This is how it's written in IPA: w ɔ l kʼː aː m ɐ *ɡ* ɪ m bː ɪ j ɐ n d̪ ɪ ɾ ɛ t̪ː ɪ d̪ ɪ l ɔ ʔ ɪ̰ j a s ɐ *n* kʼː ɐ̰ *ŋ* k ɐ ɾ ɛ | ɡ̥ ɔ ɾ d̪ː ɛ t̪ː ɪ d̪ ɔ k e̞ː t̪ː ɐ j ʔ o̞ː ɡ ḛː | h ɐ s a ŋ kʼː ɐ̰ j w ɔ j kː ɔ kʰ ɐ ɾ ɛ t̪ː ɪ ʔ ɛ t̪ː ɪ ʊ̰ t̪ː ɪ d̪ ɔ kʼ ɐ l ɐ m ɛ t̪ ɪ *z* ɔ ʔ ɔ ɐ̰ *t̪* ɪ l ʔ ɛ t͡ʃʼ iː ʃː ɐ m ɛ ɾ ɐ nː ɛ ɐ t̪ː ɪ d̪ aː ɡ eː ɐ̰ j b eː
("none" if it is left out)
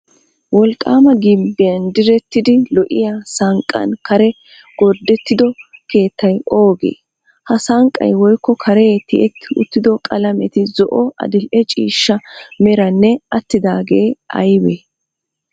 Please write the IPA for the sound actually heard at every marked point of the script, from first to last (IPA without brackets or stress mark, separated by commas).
ɡ, ŋ, n, z, d̪